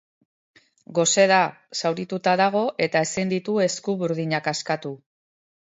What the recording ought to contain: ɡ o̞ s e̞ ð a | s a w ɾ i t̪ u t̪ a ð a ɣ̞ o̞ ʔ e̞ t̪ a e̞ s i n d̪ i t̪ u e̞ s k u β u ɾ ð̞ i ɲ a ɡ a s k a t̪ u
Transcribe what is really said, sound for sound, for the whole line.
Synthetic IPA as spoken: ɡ o̞ s e̞ ð a | s a w ɾ i t̪ u t̪ a ð a ɣ̞ o̞ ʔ e̞ t̪ a e̞ s i n d̪ i t̪ u e̞ s k u β u ɾ ð̞ i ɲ a k a s k a t̪ u